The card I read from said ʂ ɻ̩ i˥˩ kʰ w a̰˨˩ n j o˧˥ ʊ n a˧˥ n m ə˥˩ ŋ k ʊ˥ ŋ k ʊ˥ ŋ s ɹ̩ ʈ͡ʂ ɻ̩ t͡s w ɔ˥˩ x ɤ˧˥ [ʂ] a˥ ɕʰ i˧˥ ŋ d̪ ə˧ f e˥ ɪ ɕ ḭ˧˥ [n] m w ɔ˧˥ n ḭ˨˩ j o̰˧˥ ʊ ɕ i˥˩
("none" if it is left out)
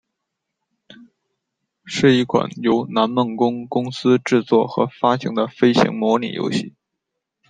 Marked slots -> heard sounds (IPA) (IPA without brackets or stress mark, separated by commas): f, ŋ